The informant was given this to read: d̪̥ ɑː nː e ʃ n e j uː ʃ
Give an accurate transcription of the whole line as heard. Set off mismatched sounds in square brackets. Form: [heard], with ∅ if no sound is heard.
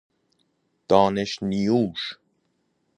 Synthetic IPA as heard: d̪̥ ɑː [n] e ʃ n [i] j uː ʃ